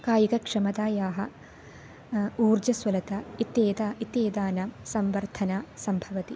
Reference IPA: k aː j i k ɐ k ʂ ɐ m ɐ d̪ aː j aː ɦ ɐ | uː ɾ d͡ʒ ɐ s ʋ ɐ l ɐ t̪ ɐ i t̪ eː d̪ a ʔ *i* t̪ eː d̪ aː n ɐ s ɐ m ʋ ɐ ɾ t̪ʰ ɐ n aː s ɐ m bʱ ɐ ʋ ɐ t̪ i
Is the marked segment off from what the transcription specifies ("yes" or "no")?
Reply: no